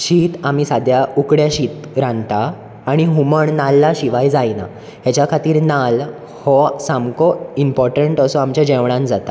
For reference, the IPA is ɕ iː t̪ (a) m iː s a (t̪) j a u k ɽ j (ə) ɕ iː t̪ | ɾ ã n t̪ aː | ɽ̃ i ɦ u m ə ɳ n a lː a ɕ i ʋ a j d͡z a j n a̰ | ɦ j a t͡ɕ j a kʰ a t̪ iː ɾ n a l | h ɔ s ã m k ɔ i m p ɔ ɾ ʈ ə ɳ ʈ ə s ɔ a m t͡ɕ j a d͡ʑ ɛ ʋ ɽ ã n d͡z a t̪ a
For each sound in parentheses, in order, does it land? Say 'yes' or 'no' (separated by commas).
yes, no, no